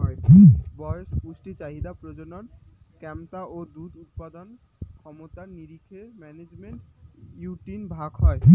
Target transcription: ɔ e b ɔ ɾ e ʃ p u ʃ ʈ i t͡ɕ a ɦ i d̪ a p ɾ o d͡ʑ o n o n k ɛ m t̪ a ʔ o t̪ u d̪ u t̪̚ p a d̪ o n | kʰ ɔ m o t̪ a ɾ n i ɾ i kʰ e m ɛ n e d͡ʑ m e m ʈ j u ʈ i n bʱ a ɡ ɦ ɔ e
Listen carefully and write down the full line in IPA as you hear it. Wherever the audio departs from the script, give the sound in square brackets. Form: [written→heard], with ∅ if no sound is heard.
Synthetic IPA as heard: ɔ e b ɔ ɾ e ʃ p u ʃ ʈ i t͡ɕ a ɦ i d̪ a p ɾ o d͡ʑ o n o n k ɛ m t̪ a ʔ o [t̪→d̪] u d̪ u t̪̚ p a d̪ o n | kʰ ɔ m o t̪ a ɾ n i ɾ i kʰ e m ɛ n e d͡ʑ m e [m→ɳ] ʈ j u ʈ i n bʱ a ɡ ɦ ɔ e